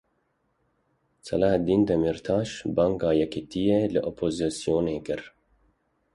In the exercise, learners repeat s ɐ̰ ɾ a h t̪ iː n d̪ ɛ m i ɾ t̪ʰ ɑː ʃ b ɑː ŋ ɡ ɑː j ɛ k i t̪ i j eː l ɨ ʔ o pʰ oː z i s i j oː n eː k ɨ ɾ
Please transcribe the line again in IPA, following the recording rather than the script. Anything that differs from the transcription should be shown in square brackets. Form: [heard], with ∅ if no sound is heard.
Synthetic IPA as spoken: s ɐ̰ [l] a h [d̪] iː n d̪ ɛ m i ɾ t̪ʰ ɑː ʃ b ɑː ŋ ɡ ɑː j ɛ k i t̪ i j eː l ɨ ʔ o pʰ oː z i s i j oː n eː k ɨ ɾ